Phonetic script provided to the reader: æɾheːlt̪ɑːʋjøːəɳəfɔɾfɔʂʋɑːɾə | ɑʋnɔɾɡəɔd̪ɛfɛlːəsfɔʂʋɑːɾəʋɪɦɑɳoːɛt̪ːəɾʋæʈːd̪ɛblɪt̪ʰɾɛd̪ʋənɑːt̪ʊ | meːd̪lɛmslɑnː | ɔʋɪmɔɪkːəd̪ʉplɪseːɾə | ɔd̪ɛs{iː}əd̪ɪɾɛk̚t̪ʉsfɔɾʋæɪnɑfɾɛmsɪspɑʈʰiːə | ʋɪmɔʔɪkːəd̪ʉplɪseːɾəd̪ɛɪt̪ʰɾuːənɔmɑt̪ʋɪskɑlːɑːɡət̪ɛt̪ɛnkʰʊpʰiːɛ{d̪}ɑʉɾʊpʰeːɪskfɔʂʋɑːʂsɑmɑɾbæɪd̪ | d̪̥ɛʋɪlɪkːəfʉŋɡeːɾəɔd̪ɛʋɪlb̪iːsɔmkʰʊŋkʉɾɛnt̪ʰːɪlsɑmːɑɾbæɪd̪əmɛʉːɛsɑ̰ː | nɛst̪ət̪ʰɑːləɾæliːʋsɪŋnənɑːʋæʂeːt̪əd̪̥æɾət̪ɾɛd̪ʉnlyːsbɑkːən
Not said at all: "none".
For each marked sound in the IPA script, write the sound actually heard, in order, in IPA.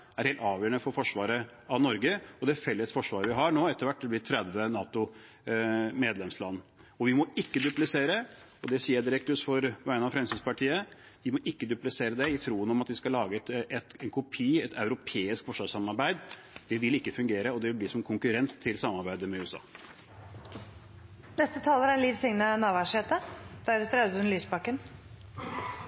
iː, t̪

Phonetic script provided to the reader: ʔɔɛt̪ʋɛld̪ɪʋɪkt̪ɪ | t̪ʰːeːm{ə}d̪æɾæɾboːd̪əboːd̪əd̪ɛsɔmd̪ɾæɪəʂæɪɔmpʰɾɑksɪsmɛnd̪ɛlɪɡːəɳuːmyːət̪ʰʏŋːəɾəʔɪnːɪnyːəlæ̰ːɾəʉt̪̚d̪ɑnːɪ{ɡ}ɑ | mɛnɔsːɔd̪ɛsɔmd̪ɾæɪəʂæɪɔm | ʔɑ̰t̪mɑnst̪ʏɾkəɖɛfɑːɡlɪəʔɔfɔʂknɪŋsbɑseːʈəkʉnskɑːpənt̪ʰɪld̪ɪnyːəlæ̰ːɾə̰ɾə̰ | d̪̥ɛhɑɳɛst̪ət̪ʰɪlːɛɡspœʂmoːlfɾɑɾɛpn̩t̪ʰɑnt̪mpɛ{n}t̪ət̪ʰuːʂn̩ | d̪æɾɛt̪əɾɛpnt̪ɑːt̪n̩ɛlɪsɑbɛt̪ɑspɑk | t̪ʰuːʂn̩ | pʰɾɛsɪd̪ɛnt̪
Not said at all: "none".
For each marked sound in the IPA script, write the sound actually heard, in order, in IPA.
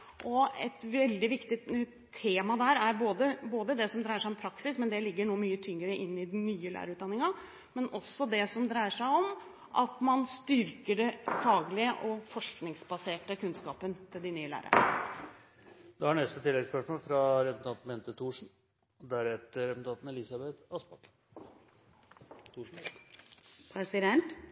ɑ, ŋ, n

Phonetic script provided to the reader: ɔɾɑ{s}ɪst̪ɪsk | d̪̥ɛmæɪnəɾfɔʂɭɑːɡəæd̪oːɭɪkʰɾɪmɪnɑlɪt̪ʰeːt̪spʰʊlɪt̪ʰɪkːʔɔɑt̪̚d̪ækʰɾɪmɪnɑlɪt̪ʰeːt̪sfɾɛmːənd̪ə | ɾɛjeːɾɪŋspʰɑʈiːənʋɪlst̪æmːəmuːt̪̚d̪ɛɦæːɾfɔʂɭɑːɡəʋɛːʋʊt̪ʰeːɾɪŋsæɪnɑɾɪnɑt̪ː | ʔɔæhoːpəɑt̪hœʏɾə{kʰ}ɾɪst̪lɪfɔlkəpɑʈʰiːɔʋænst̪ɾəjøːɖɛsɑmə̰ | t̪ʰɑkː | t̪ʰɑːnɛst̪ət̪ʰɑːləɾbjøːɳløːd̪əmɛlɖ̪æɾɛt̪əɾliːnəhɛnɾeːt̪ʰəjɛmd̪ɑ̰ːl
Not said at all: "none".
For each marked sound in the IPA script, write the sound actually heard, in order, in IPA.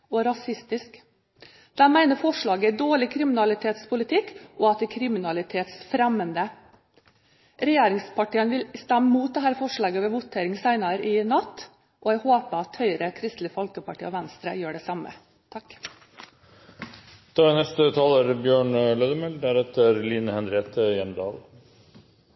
s, kʰ

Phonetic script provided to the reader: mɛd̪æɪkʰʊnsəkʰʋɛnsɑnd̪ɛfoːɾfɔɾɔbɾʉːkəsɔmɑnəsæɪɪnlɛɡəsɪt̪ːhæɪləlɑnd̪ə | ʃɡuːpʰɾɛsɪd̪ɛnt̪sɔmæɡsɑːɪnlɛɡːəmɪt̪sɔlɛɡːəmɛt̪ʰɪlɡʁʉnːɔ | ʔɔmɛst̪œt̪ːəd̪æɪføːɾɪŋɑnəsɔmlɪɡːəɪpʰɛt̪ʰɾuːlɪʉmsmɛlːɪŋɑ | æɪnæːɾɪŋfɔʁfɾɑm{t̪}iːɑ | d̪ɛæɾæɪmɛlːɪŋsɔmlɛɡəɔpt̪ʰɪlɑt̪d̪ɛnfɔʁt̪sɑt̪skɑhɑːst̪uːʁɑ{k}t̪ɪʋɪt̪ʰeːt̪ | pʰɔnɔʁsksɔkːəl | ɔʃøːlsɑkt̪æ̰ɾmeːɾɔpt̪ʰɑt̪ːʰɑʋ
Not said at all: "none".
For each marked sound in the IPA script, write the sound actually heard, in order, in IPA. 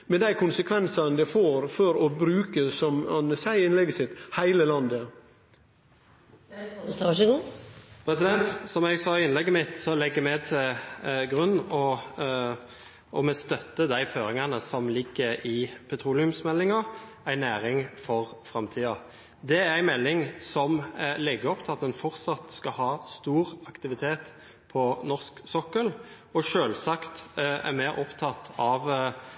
t̪ʰ, k

